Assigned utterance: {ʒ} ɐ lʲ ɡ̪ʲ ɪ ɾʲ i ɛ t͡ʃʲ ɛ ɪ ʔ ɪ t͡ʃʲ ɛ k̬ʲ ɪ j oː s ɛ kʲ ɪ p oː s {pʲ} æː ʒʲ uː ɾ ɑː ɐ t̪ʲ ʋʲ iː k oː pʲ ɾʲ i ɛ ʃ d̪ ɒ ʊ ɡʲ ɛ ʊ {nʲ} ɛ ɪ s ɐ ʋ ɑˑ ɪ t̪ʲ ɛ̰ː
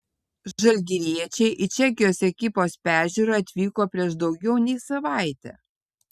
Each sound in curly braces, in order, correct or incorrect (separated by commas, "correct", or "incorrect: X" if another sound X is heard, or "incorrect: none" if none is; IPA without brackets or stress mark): correct, correct, correct